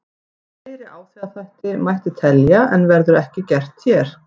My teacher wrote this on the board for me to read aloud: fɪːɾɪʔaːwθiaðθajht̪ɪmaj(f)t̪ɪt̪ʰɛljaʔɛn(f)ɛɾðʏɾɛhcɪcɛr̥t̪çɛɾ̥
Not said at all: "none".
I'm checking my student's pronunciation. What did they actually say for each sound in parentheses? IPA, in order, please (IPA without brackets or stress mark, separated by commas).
h, v